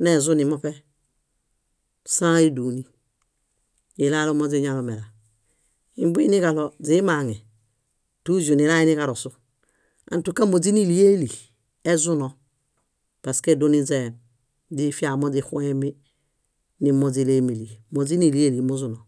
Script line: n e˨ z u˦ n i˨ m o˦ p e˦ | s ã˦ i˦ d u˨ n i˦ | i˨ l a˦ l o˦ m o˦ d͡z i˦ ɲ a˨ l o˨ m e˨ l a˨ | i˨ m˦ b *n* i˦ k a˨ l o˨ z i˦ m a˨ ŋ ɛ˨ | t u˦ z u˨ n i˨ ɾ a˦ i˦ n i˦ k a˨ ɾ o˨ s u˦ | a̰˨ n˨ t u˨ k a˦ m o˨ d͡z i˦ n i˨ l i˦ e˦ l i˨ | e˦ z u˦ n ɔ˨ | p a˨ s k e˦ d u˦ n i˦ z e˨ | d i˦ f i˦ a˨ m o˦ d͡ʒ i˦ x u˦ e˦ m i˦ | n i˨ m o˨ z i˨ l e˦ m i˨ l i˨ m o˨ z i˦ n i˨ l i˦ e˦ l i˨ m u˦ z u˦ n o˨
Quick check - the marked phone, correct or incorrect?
correct